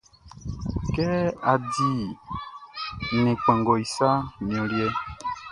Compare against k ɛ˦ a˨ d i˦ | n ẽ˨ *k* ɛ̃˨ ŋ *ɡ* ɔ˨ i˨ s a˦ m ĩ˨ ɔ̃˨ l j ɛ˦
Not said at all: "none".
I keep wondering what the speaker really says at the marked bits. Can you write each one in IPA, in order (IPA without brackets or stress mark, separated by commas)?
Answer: k͡p, ɡ